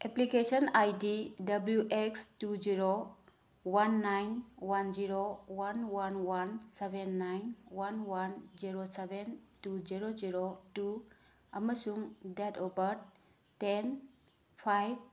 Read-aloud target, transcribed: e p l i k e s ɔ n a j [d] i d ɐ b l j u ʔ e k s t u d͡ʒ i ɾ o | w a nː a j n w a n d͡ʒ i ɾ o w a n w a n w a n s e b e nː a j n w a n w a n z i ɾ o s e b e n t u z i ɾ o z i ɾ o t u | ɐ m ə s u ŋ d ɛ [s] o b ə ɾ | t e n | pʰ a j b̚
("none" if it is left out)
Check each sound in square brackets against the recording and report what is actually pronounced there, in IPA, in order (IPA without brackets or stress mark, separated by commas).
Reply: d, t